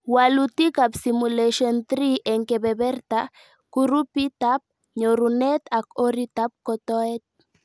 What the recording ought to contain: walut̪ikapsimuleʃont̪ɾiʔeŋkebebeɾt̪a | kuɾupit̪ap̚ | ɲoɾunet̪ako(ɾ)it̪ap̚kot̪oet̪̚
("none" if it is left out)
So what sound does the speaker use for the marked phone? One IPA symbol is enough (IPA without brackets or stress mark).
ɾ